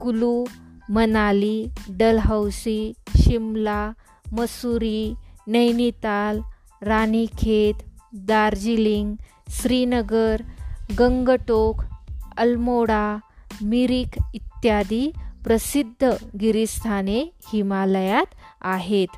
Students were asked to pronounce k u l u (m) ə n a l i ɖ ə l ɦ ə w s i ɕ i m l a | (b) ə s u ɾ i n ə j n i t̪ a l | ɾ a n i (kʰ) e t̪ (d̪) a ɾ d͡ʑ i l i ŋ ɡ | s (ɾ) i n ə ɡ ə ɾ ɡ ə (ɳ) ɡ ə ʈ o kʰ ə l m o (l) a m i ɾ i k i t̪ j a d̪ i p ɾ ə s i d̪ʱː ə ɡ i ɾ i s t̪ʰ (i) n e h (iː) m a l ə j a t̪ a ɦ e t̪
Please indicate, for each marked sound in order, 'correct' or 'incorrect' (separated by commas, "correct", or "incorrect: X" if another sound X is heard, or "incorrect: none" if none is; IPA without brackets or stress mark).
correct, incorrect: m, correct, correct, correct, incorrect: ŋ, incorrect: ɽ, incorrect: a, incorrect: i